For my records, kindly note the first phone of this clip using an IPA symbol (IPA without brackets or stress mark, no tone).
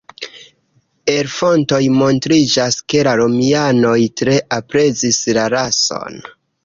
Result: e̞